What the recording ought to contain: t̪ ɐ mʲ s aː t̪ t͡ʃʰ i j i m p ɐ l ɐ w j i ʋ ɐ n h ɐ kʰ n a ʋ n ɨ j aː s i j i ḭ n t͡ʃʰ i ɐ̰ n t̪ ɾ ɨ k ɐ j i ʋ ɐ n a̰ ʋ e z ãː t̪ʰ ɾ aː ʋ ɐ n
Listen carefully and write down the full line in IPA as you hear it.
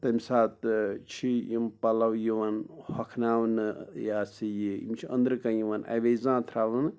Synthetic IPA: t̪ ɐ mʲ s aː t̪ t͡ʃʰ i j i m p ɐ l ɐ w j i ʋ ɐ n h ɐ kʰ n a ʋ n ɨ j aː s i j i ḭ m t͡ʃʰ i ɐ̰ n d̪ ɾ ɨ k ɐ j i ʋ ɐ n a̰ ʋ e z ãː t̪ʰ ɾ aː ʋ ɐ n

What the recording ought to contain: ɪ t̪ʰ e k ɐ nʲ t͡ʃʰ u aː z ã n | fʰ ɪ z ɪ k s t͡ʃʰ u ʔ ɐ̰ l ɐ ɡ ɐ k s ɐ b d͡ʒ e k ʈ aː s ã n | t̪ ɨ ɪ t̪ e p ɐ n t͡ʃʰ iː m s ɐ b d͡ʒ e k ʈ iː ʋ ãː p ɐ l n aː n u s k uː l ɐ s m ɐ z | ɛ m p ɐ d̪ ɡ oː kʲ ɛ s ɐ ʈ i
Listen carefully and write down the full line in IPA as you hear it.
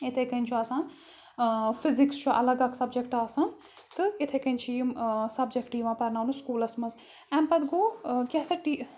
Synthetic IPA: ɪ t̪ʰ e k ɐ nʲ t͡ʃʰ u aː s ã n | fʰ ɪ z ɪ k s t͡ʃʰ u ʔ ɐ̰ l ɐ ɡ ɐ k s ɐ b d͡ʒ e k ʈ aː s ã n | t̪ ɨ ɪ t̪ʰ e k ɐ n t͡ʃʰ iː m s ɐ b d͡ʒ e k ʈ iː ʋ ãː p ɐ ɾ n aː n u s k uː l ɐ s m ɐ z | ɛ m p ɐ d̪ ɡ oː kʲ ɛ s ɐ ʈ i

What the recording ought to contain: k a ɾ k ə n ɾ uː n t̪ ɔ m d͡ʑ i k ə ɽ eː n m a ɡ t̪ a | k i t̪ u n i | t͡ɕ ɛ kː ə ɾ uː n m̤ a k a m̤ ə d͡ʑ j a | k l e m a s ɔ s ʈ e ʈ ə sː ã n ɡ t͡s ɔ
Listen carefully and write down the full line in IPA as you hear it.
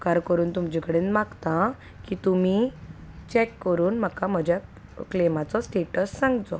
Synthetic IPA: k a ɾ k ə ɾ uː n t̪ u m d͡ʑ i k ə ɽ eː n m a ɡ t̪ a | k i t̪ u m i | t͡ɕ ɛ kː ə ɾ uː n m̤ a k a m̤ ə d͡ʑ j a | k l e m a t͡s ɔ s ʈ e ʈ ə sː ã ŋ ɡ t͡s ɔ

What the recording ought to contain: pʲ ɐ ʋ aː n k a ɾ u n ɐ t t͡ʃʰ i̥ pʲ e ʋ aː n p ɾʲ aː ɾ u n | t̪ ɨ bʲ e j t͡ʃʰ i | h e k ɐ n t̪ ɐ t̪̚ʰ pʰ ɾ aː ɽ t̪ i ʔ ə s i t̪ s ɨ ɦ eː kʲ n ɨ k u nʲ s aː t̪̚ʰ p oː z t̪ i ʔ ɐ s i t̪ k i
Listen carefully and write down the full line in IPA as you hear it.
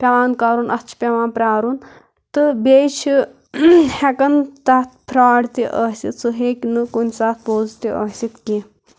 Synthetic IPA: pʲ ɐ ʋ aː n k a ɾ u n ɐ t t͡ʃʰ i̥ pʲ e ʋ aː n p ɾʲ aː ɾ u n | t̪ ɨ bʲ e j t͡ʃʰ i | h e k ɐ n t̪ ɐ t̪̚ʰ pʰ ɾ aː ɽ t̪ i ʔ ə s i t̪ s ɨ ɦ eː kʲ n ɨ k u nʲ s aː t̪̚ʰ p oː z t̪ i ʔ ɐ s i t̪ k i

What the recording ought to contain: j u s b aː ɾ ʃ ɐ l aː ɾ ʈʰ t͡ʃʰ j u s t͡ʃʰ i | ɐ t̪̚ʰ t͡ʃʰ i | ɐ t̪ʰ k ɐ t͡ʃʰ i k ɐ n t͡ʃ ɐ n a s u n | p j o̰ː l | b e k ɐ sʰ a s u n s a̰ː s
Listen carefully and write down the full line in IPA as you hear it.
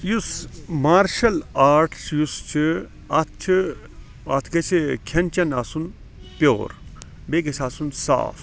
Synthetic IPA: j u s m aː ɾ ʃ ɐ l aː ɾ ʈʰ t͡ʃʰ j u s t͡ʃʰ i | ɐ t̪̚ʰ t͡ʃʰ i | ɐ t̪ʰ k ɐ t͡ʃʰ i kʰ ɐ n t͡ʃ ɐ n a s u n | p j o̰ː ɾ | b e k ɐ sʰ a s u n s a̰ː f

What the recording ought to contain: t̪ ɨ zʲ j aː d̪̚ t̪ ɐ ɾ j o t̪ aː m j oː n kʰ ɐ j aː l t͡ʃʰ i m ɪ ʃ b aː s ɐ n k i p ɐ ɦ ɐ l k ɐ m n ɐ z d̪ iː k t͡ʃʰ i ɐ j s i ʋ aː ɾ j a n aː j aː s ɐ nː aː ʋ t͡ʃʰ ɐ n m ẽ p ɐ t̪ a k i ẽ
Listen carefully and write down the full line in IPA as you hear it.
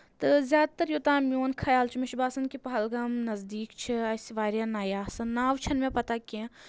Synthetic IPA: t̪ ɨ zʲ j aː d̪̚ t̪ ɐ ɾ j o t̪ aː m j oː n kʰ ɐ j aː l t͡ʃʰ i m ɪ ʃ b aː s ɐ n k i p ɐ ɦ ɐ l ɡ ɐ m n ɐ z d̪ iː k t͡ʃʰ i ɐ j s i ʋ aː ɾ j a n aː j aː s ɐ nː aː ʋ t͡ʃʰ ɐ n m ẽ p ɐ t̪ a k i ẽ

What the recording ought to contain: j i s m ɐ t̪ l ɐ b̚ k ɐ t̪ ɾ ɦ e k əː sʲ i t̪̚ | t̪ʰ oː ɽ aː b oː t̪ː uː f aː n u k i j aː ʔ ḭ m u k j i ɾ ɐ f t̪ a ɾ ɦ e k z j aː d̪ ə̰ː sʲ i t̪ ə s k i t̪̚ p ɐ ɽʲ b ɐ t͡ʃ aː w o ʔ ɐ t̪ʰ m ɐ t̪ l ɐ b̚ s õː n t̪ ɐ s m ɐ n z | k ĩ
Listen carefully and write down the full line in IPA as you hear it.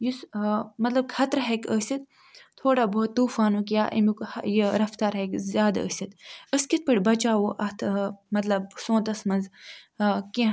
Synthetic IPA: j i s m ɐ t̪ l ɐ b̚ kʰ ɐ t̪ ɾ ɦ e k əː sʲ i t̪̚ | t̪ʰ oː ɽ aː b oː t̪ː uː f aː n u k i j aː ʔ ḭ m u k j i ɾ ɐ f t̪ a ɾ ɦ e k z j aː d̪ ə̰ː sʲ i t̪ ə s k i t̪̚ p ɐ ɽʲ b ɐ t͡ʃ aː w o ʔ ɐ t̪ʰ m ɐ t̪ l ɐ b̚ s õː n t̪ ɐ s m ɐ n z | k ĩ

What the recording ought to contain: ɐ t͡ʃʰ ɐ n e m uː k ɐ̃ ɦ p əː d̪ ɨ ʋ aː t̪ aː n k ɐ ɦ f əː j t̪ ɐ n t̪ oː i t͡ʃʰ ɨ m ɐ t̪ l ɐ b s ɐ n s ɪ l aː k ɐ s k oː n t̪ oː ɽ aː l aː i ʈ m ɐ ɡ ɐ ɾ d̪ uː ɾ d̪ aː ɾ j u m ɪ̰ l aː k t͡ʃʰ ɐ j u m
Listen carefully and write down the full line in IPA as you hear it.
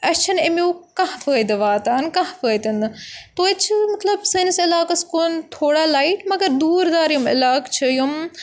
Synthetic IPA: ɐ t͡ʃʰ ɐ n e m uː k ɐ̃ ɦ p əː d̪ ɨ ʋ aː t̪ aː n k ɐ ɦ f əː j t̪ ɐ n t̪ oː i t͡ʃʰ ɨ m ɐ t̪ l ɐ b s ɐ n s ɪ l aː k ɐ s k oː n t̪ʰ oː ɽ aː l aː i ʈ m ɐ ɡ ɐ ɾ d̪ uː ɾ d̪ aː ɾ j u m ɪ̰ l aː k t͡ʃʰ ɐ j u m

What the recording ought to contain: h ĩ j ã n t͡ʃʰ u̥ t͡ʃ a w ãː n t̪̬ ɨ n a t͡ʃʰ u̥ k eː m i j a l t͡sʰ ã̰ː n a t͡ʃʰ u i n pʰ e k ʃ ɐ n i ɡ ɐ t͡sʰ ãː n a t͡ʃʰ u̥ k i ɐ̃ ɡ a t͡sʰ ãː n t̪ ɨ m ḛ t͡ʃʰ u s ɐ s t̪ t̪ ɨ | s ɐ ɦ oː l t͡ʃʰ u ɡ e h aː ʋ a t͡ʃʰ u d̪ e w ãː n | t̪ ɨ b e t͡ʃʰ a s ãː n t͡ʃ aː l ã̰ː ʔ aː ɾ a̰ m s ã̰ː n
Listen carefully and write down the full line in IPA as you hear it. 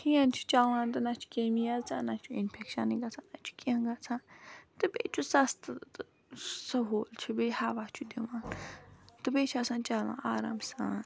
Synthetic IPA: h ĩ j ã n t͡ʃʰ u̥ t͡ʃ a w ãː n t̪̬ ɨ n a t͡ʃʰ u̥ k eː m i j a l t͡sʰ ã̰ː n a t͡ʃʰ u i n pʰ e k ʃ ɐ n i ɡ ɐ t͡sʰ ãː n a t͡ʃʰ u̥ k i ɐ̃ ɡ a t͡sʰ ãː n t̪ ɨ b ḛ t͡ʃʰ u s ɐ s t̪ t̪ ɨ | s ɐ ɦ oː l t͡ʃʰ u b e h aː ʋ a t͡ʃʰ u d̪ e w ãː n | t̪ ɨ b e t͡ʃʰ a s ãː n t͡ʃ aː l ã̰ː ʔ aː ɾ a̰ m s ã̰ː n

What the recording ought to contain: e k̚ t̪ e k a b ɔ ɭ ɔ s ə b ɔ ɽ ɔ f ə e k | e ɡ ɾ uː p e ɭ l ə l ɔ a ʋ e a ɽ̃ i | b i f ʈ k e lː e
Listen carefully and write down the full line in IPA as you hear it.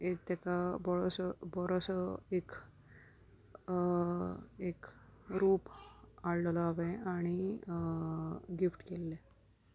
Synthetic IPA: e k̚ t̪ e k a b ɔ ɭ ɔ s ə b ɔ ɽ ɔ s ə e k | e k ɾ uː p a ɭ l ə l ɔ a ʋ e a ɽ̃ i | ɡ i f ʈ k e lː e

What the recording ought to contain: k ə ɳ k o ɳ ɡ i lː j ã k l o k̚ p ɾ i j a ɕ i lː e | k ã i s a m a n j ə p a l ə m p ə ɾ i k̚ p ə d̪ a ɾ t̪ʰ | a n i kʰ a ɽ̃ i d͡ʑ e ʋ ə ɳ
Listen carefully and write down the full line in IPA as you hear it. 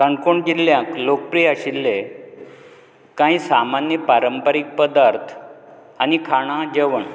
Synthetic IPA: k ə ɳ k o ɳ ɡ i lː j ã k l o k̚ p ɾ i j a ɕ i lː e | k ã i s a m a n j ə p a ɾ ə m p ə ɾ i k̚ p ə d̪ a ɾ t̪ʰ | a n i kʰ a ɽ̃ a d͡ʑ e ʋ ə ɳ

